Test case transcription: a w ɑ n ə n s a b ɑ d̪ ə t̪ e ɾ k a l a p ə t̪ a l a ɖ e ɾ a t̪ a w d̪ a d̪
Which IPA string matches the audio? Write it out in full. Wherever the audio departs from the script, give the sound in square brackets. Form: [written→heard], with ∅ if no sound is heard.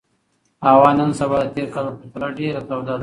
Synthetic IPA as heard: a w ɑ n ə n s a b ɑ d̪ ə t̪ e ɾ k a l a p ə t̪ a l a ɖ e ɾ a t̪ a w d̪ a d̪